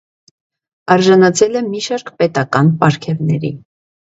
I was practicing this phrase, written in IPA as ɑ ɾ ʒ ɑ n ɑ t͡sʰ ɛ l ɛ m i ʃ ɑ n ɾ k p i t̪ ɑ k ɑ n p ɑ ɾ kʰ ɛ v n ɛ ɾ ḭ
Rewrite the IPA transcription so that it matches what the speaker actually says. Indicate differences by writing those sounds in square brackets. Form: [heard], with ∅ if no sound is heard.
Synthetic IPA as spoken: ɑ ɾ ʒ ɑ n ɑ t͡sʰ ɛ l ɛ m i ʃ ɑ [∅] ɾ k p [ɛ] t̪ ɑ k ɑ n p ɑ ɾ kʰ ɛ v n ɛ ɾ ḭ